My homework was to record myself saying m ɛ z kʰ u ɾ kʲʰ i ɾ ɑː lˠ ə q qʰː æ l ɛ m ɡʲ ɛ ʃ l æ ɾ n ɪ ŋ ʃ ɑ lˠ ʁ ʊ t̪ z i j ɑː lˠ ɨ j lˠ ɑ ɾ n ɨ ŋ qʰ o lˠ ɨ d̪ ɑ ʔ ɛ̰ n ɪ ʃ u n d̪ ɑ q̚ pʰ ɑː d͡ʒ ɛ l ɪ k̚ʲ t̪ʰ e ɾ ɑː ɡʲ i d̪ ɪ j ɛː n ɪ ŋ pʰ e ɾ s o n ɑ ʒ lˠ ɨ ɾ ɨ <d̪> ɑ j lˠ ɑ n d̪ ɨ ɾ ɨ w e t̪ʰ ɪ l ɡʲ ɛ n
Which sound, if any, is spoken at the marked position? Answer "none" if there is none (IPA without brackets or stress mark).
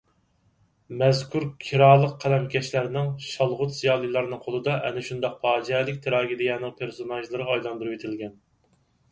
none